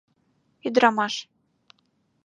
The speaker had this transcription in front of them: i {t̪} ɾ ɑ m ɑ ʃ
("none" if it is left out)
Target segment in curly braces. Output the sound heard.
d̪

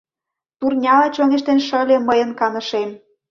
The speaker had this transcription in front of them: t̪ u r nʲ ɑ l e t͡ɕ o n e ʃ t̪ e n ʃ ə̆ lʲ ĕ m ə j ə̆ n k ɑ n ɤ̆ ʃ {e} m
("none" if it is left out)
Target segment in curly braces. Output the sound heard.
e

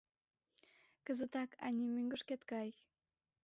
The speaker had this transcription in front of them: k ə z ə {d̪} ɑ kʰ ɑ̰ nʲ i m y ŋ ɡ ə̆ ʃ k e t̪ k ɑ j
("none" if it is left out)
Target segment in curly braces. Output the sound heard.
t̪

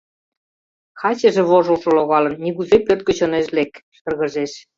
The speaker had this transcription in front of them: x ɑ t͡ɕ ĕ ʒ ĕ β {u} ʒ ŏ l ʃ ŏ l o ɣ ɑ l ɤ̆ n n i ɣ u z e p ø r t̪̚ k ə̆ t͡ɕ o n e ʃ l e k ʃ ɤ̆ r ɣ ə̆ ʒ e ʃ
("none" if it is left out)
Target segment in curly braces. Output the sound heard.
o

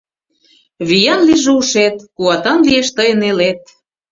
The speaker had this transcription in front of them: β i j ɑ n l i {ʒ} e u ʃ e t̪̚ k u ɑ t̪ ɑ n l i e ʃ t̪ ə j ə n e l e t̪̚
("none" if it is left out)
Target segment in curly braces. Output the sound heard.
ʒ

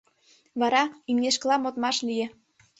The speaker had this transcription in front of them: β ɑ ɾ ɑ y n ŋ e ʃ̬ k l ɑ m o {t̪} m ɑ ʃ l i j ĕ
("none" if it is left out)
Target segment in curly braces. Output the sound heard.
t̪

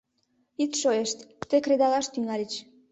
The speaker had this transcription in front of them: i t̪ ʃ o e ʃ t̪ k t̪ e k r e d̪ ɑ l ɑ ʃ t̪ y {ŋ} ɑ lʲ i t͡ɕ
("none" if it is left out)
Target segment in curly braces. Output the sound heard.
ŋ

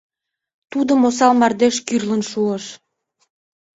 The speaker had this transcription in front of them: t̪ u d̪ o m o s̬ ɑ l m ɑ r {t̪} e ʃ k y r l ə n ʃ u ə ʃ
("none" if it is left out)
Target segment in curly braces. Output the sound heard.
d̪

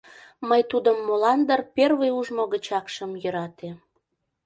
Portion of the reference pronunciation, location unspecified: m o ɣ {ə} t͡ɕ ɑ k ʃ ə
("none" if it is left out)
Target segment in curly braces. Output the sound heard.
ə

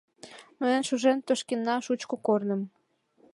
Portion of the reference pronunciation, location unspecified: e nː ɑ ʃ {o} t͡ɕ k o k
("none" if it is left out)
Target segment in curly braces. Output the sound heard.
u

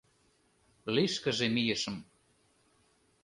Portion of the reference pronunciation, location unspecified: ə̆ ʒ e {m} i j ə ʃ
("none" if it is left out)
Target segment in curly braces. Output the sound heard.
m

